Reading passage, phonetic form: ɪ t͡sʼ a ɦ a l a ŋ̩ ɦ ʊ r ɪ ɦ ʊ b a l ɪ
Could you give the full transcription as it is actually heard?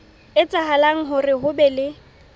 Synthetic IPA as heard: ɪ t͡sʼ a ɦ a l a ŋ̩ ɦ ʊ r ɪ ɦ ʊ b ɛ l ɪ